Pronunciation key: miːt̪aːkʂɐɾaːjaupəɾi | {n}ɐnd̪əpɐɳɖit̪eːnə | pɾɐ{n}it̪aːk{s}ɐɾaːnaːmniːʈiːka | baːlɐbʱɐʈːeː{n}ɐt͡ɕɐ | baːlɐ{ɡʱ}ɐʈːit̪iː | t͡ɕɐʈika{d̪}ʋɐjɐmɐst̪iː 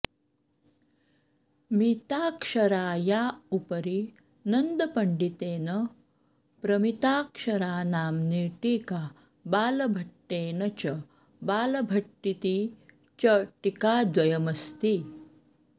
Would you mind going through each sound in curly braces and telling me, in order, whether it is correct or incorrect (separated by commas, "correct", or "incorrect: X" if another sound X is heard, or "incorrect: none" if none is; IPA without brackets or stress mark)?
correct, incorrect: m, incorrect: ʂ, correct, incorrect: bʱ, correct